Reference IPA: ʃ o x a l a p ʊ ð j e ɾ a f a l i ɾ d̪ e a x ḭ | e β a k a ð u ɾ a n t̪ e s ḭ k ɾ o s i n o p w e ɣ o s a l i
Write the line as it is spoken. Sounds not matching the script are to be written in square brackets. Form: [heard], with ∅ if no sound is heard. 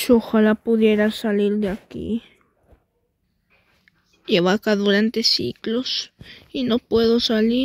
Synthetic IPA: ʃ o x a l a p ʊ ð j e ɾ a [s] a l i ɾ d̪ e a [k] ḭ | e β a k a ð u ɾ a n t̪ e s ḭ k [l] o s i n o p w e [ð] o s a l i